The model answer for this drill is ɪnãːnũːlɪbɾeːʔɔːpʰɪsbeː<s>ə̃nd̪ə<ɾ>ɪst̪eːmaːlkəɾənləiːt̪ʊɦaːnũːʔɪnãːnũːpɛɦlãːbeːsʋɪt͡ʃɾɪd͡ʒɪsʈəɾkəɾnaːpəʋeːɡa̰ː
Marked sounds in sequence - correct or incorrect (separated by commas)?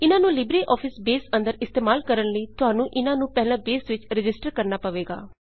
correct, correct